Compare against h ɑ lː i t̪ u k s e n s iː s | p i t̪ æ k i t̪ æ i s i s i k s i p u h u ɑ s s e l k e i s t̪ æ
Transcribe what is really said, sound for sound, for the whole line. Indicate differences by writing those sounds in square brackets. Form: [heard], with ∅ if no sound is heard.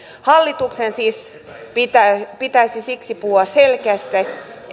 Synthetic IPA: h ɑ lː i t̪ u k s e n s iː s | p i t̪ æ [p] i t̪ æ i s i s i k s i p u h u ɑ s s e l k e [æ] s t̪ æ

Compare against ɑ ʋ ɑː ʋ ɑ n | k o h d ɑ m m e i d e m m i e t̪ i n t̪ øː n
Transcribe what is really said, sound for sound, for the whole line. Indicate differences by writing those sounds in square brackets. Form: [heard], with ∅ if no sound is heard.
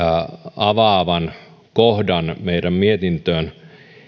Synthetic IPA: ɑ ʋ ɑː ʋ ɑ n | k o h d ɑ [n] m e i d [æ] m m i e t̪ i n t̪ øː n

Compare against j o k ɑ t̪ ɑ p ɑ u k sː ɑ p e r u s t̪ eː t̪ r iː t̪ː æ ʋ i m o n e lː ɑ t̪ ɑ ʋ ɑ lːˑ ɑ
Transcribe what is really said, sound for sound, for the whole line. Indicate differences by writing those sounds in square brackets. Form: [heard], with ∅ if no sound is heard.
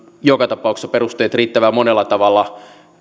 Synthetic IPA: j o k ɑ t̪ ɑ p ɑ u k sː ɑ p e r u s t̪ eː t̪ r iː t̪ː æ ʋ [æ] m o n e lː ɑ t̪ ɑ ʋ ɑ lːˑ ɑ

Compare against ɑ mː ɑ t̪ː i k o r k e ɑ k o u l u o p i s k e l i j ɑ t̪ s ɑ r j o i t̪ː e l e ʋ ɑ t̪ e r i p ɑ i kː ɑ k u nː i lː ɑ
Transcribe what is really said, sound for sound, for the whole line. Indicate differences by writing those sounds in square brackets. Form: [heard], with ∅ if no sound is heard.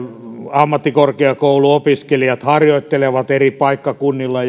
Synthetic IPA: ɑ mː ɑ t̪ː i k o r k e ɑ k o u l u o p i s k e l i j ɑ t̪ [h] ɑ r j o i t̪ː e l e ʋ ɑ t̪ e r i p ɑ i kː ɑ k u nː i lː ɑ

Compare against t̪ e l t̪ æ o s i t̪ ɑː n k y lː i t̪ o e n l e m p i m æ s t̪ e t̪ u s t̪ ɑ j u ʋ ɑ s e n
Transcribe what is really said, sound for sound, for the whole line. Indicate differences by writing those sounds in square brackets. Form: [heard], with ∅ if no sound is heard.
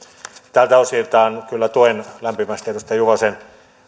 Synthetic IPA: t̪ [æ] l t̪ æ o s i t̪ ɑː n k y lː [æ] t̪ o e n l [æ] m p i m æ s t̪ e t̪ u s t̪ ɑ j u ʋ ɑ s e n

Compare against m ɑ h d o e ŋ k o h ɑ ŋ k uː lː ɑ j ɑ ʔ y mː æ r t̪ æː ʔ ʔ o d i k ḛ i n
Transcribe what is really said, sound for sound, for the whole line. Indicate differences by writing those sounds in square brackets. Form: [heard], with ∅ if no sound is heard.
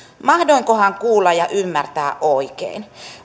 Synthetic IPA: m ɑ h d o [i] ŋ k o h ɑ ŋ k uː lː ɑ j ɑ ʔ y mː æ r t̪ æː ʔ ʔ o [∅] i k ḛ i n

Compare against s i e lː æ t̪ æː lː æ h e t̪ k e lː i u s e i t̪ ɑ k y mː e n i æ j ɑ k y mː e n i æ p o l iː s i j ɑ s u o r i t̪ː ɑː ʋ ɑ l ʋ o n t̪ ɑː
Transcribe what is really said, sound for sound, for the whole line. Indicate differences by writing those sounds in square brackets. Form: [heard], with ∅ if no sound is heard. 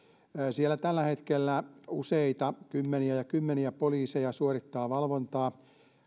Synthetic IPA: s i e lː æ t̪ [æ] lː æ h e t̪ k e lː [æ] u s e i t̪ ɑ k y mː e n i æ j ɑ k y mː e n i æ p o l iː s [e] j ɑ s u o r i t̪ː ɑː ʋ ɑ l ʋ o n t̪ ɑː

